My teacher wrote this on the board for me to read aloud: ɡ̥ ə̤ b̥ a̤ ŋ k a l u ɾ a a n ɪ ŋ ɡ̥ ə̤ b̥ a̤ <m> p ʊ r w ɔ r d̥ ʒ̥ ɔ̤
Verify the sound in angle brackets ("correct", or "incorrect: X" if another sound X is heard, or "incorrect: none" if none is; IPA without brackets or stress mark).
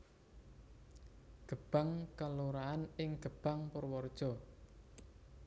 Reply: incorrect: ŋ